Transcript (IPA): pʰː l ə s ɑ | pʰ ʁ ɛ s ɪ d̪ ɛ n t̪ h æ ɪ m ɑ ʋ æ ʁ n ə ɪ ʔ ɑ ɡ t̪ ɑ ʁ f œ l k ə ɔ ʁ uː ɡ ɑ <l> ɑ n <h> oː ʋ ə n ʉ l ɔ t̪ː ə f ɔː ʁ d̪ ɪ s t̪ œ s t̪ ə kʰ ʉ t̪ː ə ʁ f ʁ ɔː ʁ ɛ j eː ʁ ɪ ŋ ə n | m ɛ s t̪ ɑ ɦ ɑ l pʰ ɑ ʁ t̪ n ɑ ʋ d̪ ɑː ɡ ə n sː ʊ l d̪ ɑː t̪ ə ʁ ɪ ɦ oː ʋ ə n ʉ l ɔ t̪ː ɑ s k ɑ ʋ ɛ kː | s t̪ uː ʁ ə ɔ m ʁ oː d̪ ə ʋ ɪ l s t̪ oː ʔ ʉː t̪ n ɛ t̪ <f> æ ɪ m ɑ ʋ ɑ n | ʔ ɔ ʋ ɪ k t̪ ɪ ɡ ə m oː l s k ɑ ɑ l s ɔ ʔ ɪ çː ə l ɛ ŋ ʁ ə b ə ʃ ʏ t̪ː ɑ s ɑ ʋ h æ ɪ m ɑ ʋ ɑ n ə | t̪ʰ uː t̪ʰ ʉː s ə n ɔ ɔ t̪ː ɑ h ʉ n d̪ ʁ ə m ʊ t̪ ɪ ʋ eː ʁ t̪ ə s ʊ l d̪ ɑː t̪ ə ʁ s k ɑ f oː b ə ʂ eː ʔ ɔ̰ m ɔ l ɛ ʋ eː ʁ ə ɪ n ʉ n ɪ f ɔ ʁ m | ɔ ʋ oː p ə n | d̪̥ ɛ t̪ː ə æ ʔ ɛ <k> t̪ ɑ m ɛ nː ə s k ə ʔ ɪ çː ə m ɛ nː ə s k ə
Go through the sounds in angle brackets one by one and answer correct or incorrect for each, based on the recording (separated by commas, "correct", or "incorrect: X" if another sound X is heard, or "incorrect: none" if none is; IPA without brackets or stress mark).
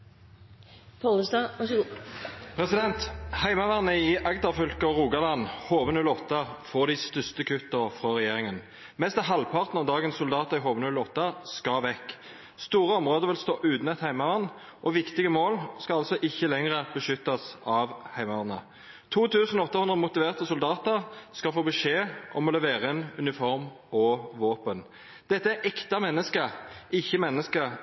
correct, correct, incorrect: h, correct